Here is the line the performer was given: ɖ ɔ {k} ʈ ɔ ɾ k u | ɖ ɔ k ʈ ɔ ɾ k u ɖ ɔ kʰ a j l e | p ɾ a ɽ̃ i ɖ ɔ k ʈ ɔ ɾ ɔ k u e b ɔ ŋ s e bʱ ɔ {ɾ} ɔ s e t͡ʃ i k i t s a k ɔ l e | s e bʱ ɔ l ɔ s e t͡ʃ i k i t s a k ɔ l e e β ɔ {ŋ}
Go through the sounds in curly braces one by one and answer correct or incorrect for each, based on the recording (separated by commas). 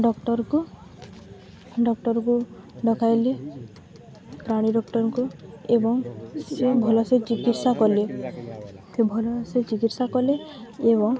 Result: correct, incorrect, correct